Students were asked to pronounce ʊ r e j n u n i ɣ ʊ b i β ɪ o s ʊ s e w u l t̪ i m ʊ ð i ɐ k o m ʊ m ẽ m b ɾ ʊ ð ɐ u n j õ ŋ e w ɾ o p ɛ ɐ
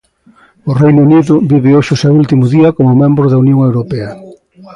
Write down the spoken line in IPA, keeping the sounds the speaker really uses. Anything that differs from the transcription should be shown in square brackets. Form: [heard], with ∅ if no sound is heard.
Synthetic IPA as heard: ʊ r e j n u n i [ð] ʊ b i β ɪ o [ʃ] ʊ s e w u l t̪ i m ʊ ð i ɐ k o m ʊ m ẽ m b ɾ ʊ ð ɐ u n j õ ŋ e w ɾ o p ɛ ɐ